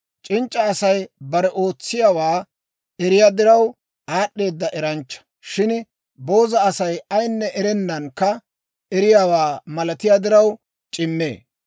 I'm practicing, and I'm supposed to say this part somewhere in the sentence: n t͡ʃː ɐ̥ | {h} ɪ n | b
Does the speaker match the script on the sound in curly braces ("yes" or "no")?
no